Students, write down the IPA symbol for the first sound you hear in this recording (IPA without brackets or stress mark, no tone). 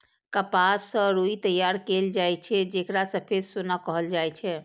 k